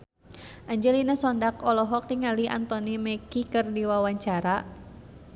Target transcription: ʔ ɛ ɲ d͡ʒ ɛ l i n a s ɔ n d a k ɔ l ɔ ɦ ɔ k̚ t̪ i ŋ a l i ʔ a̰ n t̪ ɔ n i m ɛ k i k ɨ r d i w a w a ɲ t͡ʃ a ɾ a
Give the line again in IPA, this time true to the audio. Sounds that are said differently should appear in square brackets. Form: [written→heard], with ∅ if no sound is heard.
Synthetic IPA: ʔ [ɛ→a] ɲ d͡ʒ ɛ l i n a s ɔ n d a k ɔ l ɔ ɦ ɔ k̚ t̪ i ŋ a l i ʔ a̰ n t̪ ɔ n i m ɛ k i k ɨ r d i w a w a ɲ t͡ʃ a ɾ a